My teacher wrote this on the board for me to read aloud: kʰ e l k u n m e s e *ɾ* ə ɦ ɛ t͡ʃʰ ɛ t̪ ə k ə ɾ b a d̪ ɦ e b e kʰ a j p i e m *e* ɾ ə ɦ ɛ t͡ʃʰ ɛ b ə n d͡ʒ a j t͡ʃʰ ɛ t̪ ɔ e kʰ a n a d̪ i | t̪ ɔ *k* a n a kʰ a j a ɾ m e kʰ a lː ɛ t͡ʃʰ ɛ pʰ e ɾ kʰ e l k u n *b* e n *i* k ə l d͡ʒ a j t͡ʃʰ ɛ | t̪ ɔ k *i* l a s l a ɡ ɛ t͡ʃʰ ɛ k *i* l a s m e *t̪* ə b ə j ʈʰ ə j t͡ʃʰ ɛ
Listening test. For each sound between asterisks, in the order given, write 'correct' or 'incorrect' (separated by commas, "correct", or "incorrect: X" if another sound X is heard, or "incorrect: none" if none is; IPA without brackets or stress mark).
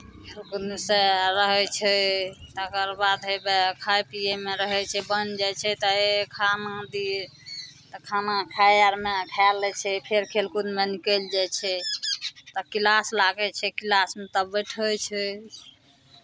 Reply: correct, correct, incorrect: kʰ, incorrect: m, correct, correct, correct, correct